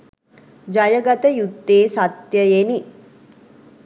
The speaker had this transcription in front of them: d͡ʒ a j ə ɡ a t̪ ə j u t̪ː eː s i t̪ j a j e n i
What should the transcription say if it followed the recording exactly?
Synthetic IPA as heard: d͡ʒ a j ə ɡ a t̪ ə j u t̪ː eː s a t̪ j ə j e n i

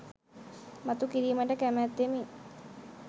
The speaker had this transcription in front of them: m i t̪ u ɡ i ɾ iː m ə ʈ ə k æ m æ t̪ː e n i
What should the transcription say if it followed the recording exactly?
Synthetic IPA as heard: m a t̪ u k i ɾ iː m ə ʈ ə k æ m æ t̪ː e m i

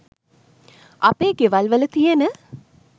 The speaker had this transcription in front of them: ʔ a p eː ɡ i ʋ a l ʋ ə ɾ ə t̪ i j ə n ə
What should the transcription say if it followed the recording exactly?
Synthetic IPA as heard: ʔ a p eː ɡ e ʋ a l ʋ ə l ə t̪ i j ə n ə

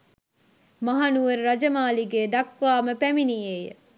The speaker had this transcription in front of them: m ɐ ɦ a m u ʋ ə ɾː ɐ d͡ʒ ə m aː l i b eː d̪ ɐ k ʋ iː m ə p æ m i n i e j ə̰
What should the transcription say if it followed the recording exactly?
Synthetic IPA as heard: m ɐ ɦ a n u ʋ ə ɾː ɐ d͡ʒ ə m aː l i ɡ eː d̪ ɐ k ʋ aː m ə p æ m i n i e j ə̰

